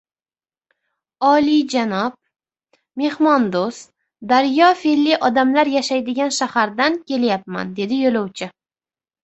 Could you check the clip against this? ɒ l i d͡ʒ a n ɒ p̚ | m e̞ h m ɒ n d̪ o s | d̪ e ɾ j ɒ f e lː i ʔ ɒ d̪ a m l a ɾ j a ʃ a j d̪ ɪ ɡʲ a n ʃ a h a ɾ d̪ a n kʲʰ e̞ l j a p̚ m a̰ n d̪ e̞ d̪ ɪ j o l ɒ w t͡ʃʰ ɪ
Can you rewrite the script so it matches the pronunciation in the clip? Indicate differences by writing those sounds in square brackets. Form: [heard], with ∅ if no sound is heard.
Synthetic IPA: ɒ l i d͡ʒ a n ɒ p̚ | m e̞ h m ɒ n d̪ o s | d̪ [a] ɾ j ɒ f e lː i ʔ ɒ d̪ a m l a ɾ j a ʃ a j d̪ ɪ ɡʲ a n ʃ a h a ɾ d̪ a n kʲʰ e̞ l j a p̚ m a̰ n d̪ e̞ d̪ ɪ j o l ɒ w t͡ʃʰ ɪ